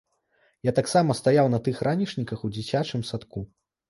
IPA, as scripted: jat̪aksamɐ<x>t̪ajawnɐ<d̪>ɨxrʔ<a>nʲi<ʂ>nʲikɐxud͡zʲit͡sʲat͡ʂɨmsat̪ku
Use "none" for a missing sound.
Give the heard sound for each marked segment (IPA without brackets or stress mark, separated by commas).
s, t̪, a, ʂ